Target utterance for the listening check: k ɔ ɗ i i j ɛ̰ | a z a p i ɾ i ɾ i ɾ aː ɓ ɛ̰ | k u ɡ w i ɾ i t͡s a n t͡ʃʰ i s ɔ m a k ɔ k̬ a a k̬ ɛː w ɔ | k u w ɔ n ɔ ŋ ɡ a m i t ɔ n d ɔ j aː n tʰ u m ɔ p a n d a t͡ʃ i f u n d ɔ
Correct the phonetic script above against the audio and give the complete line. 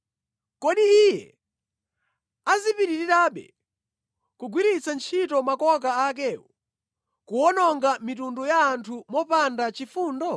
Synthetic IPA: k ɔ ɗ i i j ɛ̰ | a z i p i ɾ i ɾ i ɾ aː ɓ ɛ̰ | k u ɡ w i ɾ i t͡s a n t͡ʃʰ i t ɔ m a k ɔ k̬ a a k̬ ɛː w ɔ | k u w ɔ n ɔ ŋ ɡ a m i t u n d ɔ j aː n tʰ u m ɔ p a n d a t͡ʃ i f uː n d ɔ